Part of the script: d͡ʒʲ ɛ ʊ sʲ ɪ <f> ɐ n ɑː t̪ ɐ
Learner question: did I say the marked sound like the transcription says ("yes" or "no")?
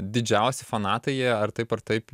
yes